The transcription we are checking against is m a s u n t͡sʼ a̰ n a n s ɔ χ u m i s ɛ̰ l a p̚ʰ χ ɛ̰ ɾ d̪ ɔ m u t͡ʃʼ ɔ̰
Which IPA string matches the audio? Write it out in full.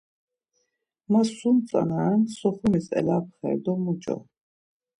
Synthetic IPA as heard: m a s u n t͡sʼ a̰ n a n s ɔ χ u m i s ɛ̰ l a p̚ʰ χ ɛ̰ ɾ d̪ ɔ m u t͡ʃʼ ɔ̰